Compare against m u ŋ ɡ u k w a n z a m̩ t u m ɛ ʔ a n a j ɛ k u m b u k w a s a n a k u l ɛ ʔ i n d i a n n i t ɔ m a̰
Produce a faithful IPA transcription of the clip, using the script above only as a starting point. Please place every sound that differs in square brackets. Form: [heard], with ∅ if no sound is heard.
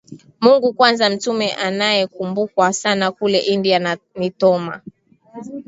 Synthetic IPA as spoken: m u ŋ ɡ u k w a n z a m̩ t u m ɛ ʔ a n a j ɛ k u m b u k w a s a n a k u l ɛ ʔ i n d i a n n i t ɔ m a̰